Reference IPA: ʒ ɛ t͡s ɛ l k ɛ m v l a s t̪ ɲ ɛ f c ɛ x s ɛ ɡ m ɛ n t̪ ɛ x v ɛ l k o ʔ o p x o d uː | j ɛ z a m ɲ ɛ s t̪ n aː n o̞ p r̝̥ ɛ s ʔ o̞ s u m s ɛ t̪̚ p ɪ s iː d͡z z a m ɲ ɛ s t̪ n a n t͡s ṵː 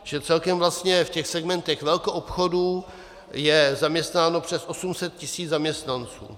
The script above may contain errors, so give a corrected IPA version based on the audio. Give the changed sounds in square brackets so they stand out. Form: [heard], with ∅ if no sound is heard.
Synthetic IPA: ʒ ɛ t͡s ɛ l k ɛ m v l a s t̪ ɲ ɛ f c ɛ x s ɛ ɡ m ɛ n t̪ ɛ x v ɛ l k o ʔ o p x o d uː | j ɛ z a m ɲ ɛ s t̪ n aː n o̞ p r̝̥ ɛ s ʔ o̞ s u m s ɛ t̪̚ [c] ɪ s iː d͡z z a m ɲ ɛ s t̪ n a n t͡s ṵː